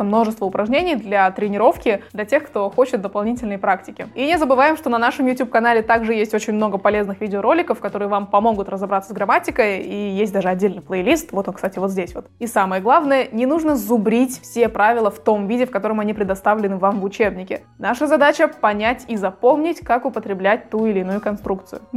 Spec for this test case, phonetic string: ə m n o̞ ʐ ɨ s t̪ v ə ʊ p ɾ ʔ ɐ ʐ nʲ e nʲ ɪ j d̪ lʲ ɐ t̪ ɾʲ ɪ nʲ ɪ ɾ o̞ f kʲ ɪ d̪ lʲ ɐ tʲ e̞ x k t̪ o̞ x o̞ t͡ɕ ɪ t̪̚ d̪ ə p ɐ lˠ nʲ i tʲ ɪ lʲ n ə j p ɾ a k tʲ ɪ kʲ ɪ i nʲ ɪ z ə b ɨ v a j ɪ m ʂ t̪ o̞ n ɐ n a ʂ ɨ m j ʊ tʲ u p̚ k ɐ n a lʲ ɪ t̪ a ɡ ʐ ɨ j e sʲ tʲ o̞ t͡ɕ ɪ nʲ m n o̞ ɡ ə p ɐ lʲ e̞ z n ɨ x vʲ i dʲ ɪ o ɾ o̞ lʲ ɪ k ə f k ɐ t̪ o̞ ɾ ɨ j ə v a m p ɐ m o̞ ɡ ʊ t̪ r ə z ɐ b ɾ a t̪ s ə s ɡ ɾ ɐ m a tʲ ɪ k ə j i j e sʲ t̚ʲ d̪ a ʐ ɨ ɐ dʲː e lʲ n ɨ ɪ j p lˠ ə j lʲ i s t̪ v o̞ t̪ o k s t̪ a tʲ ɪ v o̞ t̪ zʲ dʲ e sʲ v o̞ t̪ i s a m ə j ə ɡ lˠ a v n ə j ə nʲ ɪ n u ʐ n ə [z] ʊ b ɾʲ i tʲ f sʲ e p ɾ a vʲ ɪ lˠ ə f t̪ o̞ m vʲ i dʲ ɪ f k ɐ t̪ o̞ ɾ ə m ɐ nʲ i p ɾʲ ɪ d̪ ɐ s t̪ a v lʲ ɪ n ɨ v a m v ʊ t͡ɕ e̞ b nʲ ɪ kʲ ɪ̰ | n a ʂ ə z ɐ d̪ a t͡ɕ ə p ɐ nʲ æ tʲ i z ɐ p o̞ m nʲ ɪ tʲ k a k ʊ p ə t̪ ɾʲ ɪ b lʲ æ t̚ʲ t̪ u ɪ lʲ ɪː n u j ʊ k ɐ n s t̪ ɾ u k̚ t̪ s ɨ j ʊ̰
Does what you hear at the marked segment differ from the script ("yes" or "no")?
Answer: no